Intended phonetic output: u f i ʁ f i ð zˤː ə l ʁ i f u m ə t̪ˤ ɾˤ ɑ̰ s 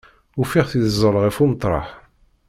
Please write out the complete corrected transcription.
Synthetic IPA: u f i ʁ θ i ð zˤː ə l ʁ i f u m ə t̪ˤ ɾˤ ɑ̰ ħ